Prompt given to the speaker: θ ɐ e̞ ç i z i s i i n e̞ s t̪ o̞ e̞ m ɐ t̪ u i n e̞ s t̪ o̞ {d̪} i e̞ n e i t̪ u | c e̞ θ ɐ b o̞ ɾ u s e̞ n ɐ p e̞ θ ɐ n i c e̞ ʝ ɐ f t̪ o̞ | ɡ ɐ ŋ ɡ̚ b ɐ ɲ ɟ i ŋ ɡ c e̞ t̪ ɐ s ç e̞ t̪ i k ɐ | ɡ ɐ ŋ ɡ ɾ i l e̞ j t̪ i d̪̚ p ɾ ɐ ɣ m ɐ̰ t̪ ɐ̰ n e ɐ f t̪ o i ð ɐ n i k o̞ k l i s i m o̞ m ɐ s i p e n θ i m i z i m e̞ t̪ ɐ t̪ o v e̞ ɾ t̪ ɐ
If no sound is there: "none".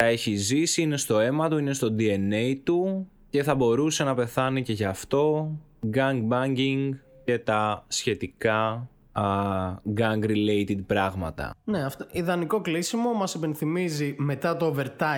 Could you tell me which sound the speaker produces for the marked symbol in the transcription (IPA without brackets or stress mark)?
d̪